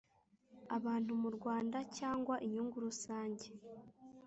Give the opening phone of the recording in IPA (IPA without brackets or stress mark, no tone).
a